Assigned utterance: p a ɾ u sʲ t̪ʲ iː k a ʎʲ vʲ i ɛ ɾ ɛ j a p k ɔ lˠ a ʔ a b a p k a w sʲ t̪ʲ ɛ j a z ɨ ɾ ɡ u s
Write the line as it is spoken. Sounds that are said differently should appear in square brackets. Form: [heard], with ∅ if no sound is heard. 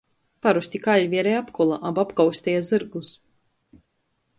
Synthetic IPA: p a ɾ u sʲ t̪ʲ [i] k a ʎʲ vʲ i ɛ ɾ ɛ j a p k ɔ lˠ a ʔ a b a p k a w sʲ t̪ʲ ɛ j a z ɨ ɾ ɡ u s